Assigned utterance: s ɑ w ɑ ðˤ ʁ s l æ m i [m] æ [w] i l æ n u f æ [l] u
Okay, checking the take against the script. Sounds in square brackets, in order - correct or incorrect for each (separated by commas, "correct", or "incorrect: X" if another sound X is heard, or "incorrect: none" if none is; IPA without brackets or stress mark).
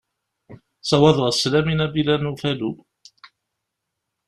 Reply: incorrect: n, incorrect: b, correct